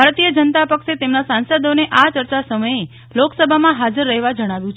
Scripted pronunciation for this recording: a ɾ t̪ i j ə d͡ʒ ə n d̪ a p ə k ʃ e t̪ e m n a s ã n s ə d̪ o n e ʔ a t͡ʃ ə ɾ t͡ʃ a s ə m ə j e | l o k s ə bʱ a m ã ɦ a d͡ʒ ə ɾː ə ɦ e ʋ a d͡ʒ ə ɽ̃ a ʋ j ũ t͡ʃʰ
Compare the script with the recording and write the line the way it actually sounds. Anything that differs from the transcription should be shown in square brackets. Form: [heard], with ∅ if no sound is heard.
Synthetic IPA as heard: a ɾ t̪ i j ə d͡ʒ ə n [t̪] a p ə k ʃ e t̪ e m n a s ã n s ə d̪ o n e ʔ a t͡ʃ ə ɾ t͡ʃ a s ə m ə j e | l o k s ə bʱ a m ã ɦ a d͡ʒ ə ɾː ə ɦ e ʋ a d͡ʒ ə ɽ̃ a ʋ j ũ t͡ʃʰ